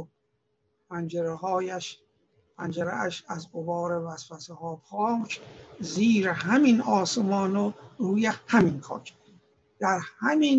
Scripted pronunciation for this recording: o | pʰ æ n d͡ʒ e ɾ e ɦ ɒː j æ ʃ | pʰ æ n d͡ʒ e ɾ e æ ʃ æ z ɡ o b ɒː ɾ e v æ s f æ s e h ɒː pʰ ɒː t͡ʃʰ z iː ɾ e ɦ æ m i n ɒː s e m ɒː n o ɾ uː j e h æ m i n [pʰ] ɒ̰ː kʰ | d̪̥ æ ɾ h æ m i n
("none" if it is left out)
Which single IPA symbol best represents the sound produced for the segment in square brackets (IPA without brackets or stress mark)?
kʰ